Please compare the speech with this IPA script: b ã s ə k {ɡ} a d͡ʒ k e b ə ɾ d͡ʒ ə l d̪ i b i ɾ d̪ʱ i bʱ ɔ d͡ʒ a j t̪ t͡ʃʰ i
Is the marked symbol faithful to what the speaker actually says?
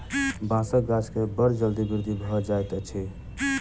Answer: yes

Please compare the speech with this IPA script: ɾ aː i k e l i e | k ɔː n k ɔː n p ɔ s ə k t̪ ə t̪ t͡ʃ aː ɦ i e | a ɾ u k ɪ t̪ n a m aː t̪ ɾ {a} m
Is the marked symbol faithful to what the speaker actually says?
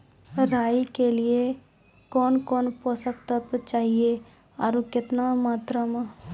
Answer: no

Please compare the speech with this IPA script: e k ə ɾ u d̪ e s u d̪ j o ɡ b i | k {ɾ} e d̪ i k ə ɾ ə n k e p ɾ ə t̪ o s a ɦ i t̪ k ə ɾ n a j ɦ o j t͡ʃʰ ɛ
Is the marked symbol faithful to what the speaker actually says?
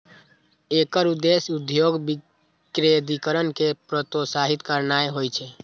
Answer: yes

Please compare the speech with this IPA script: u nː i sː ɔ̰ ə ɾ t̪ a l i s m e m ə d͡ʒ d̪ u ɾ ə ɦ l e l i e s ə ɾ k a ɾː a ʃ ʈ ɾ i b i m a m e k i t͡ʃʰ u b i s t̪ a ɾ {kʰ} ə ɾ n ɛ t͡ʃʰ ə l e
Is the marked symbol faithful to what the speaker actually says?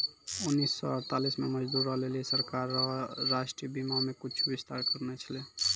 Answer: no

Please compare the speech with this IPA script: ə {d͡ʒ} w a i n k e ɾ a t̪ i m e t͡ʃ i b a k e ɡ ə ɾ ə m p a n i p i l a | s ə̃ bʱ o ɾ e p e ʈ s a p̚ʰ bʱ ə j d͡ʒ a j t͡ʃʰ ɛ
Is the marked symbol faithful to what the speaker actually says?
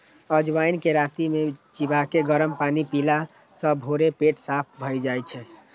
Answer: yes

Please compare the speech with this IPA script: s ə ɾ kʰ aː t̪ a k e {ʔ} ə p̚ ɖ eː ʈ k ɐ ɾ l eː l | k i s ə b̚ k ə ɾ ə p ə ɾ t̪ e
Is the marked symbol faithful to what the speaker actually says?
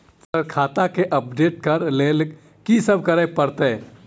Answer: yes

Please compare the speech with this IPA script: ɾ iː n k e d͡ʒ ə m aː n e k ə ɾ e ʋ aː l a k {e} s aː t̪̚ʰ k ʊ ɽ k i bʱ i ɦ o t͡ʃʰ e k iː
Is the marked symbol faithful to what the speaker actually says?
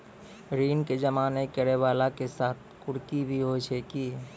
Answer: yes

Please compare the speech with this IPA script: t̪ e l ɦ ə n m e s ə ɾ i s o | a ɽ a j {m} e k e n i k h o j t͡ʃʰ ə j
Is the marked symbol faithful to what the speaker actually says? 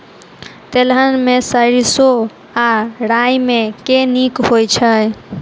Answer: yes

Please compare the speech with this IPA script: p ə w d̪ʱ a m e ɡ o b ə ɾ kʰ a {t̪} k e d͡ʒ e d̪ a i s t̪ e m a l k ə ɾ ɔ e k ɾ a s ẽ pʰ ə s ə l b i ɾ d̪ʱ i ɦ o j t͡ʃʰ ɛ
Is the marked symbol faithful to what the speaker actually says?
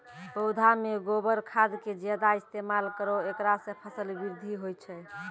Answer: no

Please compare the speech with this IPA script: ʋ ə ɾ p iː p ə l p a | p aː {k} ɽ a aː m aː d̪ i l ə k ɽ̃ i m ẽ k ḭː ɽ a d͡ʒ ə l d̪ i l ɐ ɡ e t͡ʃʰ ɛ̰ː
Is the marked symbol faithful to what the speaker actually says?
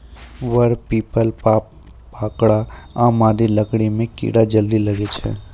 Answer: yes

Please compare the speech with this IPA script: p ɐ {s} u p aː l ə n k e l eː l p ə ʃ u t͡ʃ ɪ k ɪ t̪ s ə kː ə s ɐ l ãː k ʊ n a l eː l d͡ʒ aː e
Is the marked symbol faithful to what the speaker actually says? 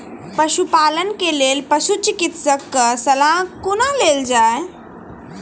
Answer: no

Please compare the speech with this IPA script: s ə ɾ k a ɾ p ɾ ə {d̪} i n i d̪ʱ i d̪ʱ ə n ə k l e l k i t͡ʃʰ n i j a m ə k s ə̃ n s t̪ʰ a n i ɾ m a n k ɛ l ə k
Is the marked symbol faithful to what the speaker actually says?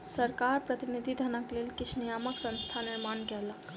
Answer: no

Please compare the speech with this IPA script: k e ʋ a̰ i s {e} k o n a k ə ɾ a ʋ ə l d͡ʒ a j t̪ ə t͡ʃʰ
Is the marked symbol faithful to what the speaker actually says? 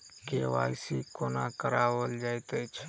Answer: no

